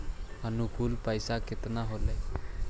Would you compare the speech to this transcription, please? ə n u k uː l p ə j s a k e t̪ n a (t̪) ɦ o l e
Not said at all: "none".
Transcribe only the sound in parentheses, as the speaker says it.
none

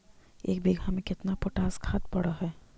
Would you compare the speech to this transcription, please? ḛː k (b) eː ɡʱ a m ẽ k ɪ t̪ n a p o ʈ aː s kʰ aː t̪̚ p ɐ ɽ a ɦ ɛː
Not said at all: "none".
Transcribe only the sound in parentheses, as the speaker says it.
b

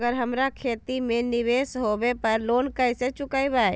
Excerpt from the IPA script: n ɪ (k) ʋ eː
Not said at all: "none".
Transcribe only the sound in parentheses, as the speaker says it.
none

